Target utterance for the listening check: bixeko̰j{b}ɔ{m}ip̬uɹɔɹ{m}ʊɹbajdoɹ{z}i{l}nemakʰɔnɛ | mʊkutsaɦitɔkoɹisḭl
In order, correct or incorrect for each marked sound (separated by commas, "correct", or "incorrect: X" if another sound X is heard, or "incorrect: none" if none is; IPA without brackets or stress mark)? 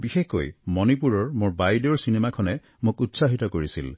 incorrect: m, incorrect: n, correct, incorrect: s, incorrect: none